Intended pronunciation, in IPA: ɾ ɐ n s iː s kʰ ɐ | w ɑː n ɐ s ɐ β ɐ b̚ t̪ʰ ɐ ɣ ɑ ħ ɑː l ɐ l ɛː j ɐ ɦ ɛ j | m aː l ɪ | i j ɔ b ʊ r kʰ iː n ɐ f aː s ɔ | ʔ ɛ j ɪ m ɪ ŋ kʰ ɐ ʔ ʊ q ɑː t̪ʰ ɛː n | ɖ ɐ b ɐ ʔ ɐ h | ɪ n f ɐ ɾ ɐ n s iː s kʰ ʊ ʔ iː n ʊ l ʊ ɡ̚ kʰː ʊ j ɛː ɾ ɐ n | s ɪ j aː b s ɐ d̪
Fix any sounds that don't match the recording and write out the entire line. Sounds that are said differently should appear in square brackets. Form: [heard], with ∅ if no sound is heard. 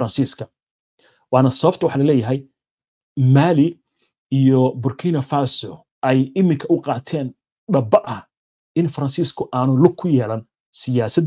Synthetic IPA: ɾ ɐ n s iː s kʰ ɐ | w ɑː n ɐ s ɐ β ɐ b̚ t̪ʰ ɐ [w] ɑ ħ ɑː l ɐ l ɛː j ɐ ɦ ɛ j | m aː l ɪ | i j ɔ b ʊ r kʰ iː n ɐ f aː s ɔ | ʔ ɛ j ɪ m ɪ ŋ kʰ ɐ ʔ ʊ q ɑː t̪ʰ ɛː n | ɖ ɐ b ɐ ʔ ɐ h | ɪ n f ɐ ɾ ɐ n s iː s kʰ ʊ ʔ [aː] n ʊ l ʊ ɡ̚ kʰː ʊ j ɛː [l] ɐ n | s ɪ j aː [∅] s ɐ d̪